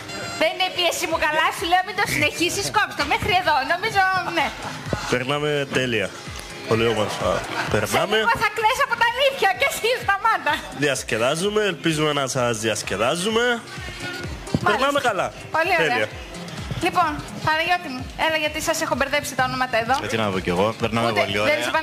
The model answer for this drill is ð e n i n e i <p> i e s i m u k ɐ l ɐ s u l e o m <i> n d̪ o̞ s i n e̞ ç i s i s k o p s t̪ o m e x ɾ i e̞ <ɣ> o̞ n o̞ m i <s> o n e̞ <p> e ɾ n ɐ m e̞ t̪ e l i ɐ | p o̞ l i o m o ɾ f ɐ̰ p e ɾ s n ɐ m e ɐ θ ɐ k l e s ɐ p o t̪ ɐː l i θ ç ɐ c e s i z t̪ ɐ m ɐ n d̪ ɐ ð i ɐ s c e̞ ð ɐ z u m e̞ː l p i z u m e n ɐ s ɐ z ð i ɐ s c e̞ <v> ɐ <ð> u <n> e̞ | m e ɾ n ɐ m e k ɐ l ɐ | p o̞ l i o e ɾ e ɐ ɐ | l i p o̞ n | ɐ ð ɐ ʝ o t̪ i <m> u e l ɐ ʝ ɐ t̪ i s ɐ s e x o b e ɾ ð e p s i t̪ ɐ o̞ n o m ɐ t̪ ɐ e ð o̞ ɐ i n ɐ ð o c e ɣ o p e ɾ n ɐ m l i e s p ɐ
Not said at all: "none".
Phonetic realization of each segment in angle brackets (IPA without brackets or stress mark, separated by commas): p, i, ð, z, p, ð, z, m, m